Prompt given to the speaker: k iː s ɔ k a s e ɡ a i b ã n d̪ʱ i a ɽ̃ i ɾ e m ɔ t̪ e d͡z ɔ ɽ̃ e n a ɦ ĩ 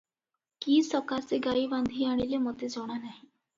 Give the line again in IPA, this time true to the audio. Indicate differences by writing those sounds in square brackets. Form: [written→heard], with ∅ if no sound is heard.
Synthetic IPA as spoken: k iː s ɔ k a s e ɡ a i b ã n d̪ʱ i a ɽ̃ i [ɾ→l] e m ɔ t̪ e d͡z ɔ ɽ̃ [e→a] n a ɦ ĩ